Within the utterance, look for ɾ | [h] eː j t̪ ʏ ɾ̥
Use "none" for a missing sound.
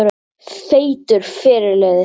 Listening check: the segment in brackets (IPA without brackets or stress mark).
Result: θ